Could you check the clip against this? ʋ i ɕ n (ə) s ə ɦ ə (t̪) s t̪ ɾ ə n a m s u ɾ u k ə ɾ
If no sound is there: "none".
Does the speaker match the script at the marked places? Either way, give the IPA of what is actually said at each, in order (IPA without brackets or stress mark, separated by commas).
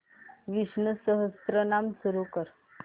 ə, none